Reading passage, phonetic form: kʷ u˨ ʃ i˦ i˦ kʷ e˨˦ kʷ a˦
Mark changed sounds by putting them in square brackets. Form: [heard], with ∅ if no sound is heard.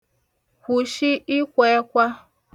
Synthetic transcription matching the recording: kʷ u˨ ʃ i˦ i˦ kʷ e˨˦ kʷ a˦

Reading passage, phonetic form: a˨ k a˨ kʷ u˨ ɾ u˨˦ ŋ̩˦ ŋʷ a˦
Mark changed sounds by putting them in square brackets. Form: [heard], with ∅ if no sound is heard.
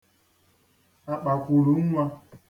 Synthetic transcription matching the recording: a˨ [k͡p] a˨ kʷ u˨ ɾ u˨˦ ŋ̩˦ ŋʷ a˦

